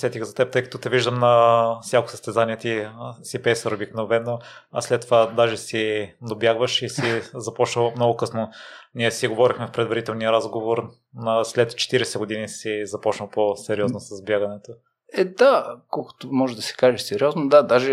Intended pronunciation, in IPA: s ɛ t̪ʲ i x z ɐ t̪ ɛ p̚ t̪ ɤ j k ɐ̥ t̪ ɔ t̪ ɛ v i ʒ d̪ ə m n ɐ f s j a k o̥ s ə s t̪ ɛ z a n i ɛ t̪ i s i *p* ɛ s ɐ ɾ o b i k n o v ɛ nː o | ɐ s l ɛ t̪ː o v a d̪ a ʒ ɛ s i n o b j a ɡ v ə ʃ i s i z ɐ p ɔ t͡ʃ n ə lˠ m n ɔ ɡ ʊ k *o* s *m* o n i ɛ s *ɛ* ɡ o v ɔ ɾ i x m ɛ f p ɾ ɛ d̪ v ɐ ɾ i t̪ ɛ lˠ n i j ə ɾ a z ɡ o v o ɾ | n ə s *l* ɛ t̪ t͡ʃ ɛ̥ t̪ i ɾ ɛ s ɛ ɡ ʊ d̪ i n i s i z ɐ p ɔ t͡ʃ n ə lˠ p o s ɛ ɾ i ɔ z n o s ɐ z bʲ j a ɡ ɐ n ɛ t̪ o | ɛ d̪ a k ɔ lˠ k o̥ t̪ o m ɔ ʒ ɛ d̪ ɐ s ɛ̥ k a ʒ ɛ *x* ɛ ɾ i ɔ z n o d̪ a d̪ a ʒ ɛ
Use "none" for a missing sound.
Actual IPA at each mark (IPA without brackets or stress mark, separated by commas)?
p, ɤ, n, i, l, s